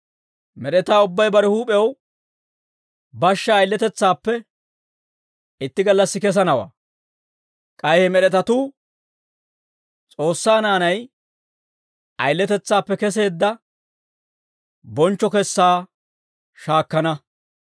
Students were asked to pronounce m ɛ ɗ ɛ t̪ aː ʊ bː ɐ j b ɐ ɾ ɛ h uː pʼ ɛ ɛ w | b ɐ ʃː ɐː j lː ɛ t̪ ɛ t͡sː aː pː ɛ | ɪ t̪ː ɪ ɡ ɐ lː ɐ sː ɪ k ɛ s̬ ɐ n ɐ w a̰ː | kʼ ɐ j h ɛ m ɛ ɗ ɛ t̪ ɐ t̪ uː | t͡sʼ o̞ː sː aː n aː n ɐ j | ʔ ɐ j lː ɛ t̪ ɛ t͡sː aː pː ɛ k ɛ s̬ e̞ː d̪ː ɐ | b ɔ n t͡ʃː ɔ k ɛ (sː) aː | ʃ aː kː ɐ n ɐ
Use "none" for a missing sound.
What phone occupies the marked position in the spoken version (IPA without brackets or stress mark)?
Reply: sː